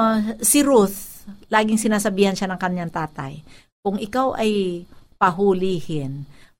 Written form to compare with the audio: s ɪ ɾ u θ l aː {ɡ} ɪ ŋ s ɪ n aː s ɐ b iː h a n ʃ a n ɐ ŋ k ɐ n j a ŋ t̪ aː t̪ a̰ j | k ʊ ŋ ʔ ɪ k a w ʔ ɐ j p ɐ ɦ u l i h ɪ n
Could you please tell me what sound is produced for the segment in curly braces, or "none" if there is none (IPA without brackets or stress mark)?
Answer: ɡ